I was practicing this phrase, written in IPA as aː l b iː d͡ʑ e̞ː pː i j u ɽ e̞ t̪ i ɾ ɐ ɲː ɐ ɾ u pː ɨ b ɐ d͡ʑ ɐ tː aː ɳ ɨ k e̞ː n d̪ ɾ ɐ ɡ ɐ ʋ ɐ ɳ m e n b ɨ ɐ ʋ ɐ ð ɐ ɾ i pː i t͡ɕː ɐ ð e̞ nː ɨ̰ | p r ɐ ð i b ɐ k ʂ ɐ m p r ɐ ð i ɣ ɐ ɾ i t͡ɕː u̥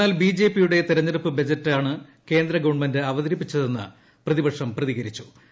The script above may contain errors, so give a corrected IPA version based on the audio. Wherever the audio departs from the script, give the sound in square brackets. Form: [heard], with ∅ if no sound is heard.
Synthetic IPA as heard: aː l b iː d͡ʑ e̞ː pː i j u ɽ e̞ t̪ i ɾ ɐ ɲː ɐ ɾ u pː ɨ b ɐ d͡ʑ ɐ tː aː ɳ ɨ k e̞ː n d̪ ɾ ɐ ɡ ɐ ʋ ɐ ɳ m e n [d] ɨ ɐ ʋ ɐ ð ɐ ɾ i pː i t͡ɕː ɐ ð e̞ nː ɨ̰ | p r ɐ ð i b ɐ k ʂ ɐ m p r ɐ ð i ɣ ɐ ɾ i t͡ɕː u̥